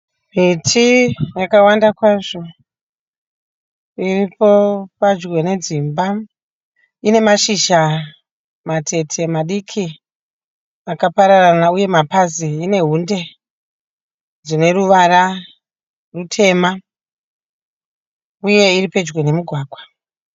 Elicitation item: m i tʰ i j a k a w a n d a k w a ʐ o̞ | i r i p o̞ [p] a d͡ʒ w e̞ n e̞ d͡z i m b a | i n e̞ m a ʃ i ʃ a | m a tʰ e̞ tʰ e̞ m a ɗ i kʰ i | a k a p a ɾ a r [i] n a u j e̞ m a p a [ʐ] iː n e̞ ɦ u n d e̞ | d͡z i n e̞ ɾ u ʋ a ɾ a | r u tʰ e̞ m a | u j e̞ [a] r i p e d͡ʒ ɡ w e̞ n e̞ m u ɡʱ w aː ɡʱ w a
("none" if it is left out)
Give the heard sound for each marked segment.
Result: p, a, z, i

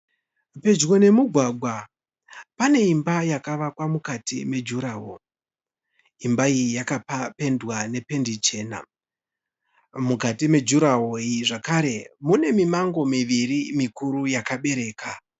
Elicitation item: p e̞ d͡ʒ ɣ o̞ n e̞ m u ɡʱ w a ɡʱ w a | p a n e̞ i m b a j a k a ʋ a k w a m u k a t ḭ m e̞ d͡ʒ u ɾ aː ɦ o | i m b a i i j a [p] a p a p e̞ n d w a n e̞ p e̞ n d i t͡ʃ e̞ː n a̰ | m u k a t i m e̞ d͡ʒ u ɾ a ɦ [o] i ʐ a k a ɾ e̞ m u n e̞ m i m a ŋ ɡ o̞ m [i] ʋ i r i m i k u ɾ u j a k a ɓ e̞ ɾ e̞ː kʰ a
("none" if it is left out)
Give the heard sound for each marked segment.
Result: k, o, i

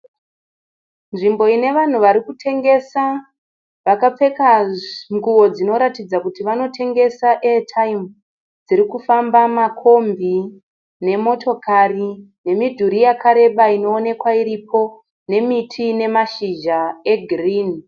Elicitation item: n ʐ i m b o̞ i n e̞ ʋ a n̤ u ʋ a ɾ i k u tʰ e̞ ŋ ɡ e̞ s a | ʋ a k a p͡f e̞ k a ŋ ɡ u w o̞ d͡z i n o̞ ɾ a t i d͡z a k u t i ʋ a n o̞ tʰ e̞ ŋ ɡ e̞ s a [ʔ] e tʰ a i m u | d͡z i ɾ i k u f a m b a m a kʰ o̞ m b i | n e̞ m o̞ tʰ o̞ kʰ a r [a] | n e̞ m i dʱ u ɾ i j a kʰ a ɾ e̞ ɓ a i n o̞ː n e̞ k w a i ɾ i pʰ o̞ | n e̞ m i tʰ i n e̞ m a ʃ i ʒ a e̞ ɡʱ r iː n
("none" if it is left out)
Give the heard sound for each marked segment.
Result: ʔ, i

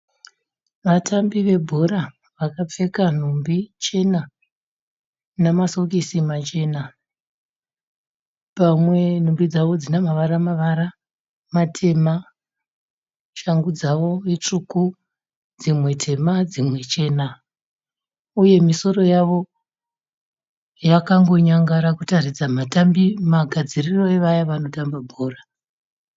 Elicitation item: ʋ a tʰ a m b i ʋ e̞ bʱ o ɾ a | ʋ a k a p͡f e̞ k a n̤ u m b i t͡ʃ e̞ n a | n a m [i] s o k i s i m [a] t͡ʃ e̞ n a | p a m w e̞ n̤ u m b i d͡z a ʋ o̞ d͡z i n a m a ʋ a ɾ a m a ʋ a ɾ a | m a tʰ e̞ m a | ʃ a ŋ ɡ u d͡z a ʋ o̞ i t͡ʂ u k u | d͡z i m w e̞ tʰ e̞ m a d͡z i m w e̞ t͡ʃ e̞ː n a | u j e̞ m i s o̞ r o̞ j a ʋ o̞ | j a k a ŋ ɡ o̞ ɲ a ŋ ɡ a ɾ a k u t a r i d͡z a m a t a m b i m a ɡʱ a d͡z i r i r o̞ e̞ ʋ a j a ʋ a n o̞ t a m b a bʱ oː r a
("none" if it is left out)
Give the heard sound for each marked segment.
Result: a, a

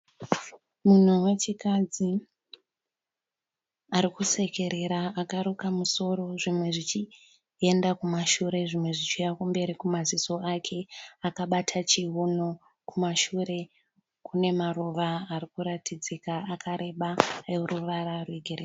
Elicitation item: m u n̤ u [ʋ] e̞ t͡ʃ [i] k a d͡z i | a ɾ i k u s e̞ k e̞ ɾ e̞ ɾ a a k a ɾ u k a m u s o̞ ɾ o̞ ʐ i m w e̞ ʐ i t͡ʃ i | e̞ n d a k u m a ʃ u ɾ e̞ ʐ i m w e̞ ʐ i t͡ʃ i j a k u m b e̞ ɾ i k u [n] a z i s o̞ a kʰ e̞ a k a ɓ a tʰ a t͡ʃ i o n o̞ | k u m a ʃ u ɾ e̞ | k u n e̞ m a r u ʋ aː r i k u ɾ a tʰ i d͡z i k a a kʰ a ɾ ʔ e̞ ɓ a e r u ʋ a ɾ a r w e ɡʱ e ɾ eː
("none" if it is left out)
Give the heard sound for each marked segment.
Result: w, i, m

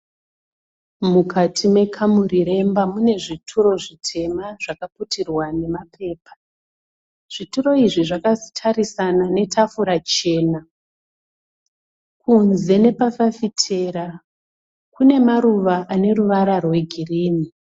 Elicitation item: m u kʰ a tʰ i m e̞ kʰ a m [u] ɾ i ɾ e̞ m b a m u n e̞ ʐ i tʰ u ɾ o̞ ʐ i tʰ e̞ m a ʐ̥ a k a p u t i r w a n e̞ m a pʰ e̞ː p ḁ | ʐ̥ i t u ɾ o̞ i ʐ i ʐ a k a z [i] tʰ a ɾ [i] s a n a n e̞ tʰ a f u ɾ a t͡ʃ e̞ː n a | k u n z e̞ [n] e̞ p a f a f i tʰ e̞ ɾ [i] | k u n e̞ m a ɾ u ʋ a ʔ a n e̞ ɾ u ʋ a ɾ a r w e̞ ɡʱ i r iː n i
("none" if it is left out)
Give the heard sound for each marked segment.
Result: u, i, i, n, a

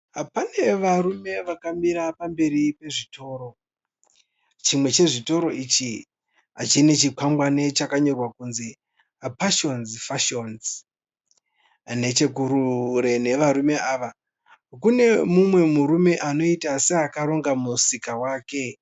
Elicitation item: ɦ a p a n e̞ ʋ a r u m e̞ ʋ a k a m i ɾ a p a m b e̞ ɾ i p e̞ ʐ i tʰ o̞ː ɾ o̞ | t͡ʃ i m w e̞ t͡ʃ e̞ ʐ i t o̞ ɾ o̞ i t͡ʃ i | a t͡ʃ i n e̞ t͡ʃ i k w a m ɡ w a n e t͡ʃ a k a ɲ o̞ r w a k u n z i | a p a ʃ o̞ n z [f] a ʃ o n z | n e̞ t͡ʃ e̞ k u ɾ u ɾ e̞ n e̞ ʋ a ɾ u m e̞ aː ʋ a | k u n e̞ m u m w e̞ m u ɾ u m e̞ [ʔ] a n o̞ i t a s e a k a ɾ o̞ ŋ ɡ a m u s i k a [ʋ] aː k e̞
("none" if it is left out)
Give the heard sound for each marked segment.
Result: f, ʔ, w

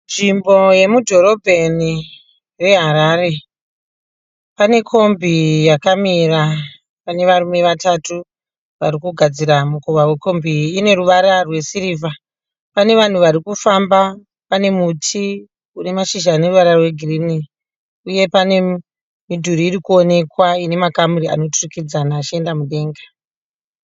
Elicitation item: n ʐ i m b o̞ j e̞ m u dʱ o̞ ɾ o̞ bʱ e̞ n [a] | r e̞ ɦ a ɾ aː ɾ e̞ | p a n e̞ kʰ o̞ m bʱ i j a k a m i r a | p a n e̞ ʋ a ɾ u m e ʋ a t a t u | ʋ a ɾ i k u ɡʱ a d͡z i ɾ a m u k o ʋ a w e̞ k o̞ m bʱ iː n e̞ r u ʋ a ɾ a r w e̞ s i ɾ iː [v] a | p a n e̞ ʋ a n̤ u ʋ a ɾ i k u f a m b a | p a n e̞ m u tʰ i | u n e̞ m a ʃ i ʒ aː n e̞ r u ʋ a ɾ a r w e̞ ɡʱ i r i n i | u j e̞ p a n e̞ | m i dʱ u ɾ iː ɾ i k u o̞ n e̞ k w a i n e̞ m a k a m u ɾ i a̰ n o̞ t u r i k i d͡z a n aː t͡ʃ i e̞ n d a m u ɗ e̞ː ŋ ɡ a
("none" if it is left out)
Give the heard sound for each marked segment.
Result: i, v

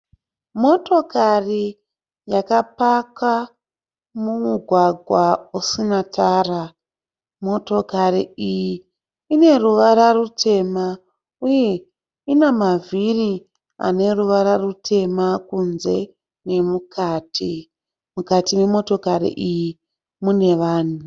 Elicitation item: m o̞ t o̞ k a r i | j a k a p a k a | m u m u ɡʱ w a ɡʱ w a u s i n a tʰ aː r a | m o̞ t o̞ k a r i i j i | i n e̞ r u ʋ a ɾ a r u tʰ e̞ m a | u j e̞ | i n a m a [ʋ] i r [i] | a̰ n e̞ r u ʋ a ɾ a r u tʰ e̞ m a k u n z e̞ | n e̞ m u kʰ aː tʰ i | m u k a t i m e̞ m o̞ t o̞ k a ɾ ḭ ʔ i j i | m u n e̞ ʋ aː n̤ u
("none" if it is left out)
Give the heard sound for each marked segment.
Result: v, i

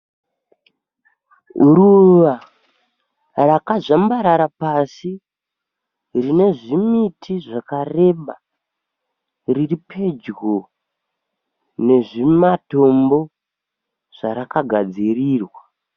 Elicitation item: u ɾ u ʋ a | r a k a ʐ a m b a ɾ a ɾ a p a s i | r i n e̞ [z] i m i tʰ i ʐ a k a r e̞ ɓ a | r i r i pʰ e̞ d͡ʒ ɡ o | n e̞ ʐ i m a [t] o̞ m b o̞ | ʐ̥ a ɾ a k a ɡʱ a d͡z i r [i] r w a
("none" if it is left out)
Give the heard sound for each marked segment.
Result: ʐ, t, iː

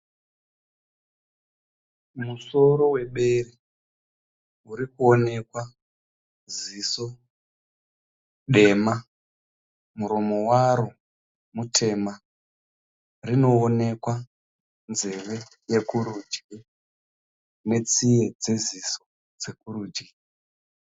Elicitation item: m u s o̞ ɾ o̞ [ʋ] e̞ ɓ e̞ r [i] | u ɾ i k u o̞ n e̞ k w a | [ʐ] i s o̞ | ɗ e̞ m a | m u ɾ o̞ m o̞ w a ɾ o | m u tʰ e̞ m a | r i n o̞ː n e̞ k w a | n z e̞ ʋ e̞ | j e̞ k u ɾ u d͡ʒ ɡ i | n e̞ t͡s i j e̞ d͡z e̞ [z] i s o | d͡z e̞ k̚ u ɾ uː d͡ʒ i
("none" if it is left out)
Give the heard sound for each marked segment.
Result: w, i, z, z

